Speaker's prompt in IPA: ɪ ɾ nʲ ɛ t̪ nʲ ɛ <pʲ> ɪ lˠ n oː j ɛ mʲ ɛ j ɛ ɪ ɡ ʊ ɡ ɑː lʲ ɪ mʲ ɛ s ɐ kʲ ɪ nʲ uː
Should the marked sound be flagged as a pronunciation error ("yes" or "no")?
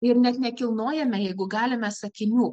yes